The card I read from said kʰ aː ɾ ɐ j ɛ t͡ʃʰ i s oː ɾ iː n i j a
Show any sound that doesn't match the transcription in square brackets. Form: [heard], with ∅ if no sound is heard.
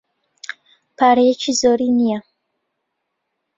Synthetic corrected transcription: [pʰ] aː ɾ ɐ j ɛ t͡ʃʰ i [z] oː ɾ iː n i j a